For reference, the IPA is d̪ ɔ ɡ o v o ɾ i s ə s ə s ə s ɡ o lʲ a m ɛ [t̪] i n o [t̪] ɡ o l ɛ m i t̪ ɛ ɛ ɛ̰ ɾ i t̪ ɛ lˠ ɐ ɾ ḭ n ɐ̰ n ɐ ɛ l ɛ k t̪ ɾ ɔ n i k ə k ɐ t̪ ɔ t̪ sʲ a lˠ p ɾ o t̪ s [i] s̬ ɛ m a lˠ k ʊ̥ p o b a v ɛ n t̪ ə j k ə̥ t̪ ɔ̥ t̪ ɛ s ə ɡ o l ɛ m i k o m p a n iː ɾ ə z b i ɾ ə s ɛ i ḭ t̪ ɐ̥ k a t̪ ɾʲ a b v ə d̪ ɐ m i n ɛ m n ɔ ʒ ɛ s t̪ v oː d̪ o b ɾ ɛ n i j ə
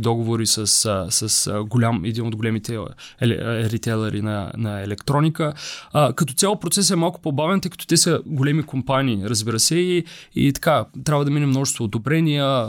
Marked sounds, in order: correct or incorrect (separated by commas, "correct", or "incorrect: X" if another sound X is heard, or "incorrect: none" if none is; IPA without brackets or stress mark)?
incorrect: d̪, incorrect: d̪, incorrect: ɛ